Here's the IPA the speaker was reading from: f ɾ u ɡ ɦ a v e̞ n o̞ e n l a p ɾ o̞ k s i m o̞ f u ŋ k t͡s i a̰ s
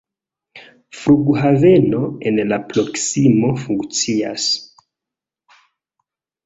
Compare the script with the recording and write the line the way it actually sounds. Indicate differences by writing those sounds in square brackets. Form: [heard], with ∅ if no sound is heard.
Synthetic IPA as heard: f ɾ u ɡ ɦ a v e̞ n o̞ e n l a p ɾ o̞ k s i m o̞ f u ŋ k t͡s i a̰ s